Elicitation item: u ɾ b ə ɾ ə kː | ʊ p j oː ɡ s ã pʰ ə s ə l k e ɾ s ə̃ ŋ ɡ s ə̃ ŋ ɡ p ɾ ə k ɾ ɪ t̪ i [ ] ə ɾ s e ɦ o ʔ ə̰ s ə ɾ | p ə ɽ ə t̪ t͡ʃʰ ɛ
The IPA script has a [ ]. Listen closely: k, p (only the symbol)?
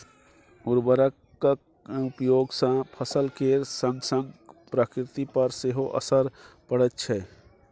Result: p